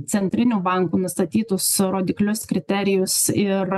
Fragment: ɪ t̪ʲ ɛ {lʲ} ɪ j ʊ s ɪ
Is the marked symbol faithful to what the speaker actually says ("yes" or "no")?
no